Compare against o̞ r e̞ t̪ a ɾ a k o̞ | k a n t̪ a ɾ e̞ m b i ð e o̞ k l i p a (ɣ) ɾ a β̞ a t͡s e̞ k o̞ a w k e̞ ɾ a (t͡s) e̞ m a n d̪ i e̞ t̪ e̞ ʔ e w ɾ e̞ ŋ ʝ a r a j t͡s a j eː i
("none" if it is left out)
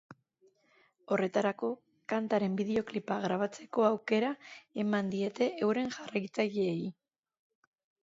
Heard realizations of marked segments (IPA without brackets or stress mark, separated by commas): ɣ, none